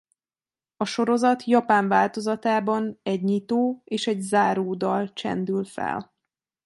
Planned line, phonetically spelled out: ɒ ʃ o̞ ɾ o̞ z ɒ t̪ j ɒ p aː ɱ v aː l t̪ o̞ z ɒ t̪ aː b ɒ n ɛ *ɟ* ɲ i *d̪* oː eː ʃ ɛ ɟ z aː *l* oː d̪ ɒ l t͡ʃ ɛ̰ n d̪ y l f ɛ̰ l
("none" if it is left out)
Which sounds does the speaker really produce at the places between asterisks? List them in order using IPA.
ɟ, t̪, ɾ

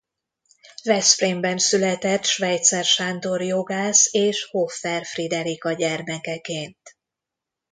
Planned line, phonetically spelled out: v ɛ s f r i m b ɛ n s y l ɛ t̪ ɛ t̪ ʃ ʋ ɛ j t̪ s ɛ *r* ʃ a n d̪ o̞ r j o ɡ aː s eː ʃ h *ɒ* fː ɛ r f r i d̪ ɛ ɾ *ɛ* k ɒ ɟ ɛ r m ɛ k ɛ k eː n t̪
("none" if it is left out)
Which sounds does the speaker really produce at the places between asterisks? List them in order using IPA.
r, o, i

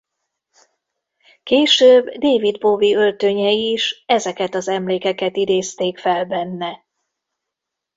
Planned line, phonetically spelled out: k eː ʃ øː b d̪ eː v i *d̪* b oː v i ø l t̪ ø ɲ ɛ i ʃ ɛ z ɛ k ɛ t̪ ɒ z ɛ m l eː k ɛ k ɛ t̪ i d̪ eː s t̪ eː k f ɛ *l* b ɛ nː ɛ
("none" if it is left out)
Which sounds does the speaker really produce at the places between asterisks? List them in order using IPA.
d̪, l

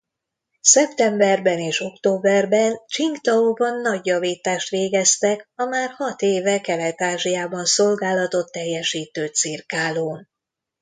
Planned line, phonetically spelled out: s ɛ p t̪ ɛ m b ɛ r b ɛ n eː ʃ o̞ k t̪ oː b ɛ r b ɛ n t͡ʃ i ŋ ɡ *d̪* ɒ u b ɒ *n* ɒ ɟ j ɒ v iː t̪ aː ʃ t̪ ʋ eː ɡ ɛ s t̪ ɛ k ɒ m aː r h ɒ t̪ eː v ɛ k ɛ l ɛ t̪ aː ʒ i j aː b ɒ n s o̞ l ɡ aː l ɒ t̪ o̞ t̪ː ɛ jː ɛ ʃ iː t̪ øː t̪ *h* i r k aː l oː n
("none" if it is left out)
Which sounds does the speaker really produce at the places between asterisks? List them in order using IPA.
t̪, nː, s

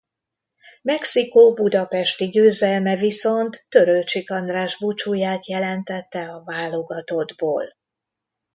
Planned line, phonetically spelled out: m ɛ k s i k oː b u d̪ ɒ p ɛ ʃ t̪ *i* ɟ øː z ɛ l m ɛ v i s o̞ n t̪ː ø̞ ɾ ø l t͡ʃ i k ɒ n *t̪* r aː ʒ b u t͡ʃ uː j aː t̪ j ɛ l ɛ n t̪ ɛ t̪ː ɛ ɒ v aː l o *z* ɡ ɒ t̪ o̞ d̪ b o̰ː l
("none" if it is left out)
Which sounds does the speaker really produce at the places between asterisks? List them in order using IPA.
i, d̪, none

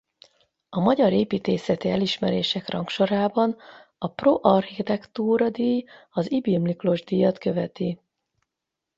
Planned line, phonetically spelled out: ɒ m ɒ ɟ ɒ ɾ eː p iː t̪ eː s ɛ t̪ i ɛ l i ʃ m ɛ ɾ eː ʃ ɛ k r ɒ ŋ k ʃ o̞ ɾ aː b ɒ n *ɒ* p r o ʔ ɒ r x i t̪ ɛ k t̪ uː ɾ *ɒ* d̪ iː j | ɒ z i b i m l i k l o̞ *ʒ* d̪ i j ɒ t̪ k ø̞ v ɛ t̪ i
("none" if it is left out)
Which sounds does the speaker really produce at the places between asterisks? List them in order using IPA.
ɒ, ɒ, ʒ

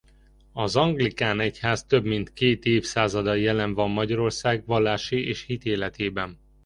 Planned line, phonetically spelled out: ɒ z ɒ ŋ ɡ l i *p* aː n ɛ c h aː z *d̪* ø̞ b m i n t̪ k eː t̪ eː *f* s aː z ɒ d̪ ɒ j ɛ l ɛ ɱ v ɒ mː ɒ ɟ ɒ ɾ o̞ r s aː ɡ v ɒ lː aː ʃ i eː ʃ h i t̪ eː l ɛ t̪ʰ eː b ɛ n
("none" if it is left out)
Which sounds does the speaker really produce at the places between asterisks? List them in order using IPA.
k, t̪, f

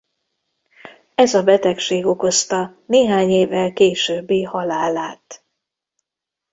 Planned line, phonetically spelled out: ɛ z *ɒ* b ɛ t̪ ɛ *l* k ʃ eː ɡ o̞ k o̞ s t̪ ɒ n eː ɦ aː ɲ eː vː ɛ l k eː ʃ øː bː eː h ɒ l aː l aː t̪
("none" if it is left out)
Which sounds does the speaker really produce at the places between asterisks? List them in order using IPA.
ɒ, none

